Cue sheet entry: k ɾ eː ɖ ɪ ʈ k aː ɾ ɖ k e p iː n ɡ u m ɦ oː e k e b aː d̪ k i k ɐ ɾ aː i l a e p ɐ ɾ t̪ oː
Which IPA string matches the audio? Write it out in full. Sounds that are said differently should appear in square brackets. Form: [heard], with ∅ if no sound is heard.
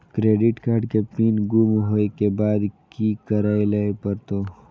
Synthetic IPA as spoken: k ɾ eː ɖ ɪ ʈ k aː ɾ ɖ k e p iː n ɡ u m ɦ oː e k e b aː d̪ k i k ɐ ɾ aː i l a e p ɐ ɾ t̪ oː